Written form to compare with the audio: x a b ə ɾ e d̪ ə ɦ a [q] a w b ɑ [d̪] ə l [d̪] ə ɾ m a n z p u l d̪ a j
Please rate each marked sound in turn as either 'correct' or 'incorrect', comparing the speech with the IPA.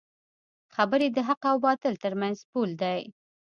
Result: correct, incorrect, incorrect

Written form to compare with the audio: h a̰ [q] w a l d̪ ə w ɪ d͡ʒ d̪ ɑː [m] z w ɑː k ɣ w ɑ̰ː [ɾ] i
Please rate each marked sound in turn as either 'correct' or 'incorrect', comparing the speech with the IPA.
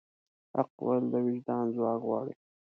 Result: correct, incorrect, incorrect

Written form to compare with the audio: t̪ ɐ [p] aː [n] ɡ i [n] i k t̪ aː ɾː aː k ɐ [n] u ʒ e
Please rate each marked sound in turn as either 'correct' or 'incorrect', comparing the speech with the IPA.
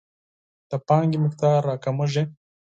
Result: correct, incorrect, incorrect, incorrect

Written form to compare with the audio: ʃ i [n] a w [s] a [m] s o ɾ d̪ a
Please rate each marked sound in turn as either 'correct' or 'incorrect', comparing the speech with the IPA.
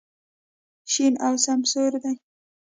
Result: correct, correct, correct

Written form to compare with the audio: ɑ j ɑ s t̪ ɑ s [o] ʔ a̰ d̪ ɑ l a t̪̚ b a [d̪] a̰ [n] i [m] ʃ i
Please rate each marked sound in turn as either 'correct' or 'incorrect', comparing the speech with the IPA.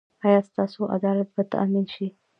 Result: correct, incorrect, incorrect, incorrect

